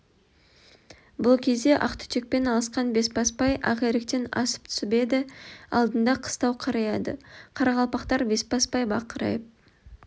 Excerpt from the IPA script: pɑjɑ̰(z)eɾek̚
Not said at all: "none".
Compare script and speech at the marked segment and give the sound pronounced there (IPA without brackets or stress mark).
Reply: ʁ